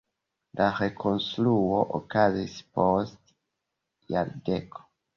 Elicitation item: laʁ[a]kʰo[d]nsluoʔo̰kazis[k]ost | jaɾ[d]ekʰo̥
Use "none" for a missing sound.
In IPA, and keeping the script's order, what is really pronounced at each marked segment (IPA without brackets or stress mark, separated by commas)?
e, none, p, d